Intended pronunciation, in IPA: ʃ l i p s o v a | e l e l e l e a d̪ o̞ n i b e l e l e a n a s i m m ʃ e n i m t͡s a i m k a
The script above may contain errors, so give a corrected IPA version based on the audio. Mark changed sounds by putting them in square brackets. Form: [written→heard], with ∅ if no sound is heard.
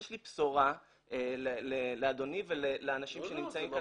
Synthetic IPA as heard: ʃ l i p s o [v→ʁ] a | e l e l e l e a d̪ o̞ n i [b→v] e l e l e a n a [s→ʃ] i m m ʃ e n i m t͡s a i m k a